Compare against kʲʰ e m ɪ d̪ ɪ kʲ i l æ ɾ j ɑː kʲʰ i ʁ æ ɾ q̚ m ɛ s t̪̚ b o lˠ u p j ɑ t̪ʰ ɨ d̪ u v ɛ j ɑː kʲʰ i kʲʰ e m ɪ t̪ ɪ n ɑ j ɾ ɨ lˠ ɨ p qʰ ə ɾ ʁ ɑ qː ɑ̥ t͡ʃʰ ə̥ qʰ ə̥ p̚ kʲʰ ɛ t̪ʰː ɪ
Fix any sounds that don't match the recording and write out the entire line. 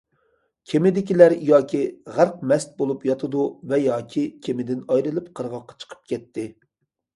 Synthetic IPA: kʲʰ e m ɪ d̪ ɪ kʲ i l æ ɾ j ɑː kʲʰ i ʁ æ ɾ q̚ m ɛ s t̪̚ b o lˠ u p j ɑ t̪ʰ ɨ d̪ u v ɛ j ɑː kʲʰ i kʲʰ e m ɪ d̪ ɪ n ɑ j ɾ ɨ lˠ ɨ p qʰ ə ɾ ʁ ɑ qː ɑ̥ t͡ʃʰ ə̥ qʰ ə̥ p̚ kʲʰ ɛ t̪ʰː ɪ